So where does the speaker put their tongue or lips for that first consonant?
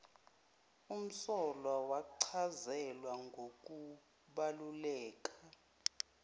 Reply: lips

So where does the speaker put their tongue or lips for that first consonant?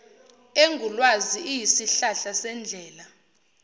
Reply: velum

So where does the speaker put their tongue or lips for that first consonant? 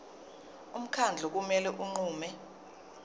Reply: lips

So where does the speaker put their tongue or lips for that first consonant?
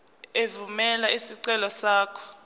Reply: lips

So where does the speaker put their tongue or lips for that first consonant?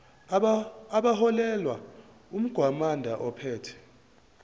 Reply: lips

